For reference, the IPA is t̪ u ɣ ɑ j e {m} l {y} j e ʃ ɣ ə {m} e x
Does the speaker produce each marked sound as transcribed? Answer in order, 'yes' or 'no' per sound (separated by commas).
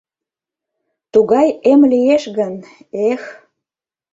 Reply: yes, no, no